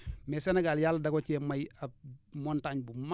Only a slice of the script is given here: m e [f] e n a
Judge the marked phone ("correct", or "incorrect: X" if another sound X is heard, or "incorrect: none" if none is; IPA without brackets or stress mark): incorrect: s